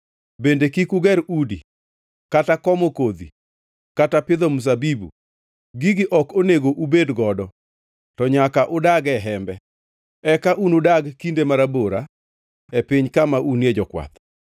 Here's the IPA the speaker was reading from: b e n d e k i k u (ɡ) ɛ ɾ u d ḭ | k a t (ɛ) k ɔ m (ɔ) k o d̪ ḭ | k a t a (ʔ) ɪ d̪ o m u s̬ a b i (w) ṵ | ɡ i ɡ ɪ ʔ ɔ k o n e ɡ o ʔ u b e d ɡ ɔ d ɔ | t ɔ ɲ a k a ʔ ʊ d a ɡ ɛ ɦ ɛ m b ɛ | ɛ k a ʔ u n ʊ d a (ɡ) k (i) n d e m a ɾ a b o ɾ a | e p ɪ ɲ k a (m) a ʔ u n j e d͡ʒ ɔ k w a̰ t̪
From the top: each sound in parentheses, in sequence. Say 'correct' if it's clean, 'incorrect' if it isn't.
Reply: correct, incorrect, incorrect, incorrect, incorrect, correct, correct, correct

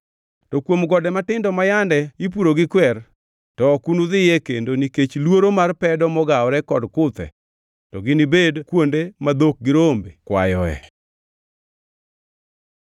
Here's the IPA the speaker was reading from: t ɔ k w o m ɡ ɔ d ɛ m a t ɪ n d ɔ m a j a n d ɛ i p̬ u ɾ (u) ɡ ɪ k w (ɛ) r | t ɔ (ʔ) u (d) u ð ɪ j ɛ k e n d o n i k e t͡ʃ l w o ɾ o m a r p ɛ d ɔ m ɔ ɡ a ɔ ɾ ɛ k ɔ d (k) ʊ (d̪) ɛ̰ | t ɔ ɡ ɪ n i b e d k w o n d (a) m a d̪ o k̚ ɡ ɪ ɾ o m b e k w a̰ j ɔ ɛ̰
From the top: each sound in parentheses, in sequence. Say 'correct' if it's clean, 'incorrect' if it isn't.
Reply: incorrect, correct, incorrect, incorrect, correct, incorrect, incorrect

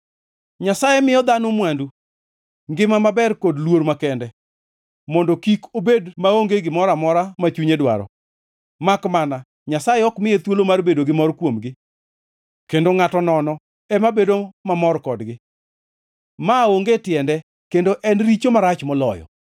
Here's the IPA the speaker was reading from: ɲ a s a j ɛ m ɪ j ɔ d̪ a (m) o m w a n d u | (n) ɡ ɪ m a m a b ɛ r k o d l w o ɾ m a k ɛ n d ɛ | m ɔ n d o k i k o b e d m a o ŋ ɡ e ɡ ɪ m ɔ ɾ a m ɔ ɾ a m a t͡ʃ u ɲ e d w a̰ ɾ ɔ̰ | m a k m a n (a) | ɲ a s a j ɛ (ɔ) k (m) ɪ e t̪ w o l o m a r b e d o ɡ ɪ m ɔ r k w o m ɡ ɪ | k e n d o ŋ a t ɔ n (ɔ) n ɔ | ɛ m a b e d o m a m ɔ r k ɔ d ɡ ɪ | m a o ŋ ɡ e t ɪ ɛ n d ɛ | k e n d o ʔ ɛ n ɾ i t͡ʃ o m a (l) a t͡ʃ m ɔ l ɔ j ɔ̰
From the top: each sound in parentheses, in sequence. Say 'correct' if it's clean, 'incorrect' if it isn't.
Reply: incorrect, incorrect, correct, correct, correct, correct, incorrect

